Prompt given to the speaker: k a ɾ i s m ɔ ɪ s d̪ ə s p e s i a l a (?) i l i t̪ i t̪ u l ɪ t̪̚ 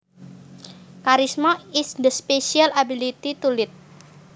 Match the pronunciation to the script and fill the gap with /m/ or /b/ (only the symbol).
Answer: b